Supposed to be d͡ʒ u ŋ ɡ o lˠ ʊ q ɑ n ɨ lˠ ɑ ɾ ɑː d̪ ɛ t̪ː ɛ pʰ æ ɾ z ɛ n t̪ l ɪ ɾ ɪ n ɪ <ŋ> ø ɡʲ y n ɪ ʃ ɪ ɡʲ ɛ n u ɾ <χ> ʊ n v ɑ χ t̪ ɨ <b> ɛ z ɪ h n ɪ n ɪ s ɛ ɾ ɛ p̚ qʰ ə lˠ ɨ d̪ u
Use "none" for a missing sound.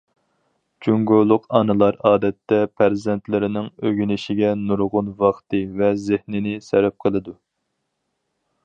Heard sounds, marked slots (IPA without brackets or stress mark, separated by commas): ŋ, ʁ, v